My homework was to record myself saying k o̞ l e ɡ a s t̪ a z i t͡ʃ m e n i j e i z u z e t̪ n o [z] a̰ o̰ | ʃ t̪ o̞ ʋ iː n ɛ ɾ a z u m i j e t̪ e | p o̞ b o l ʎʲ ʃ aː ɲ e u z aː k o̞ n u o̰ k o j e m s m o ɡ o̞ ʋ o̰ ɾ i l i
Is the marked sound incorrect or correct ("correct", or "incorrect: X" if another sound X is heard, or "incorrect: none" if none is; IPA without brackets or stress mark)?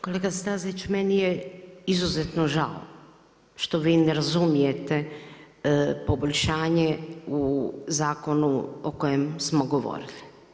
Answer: incorrect: ʒ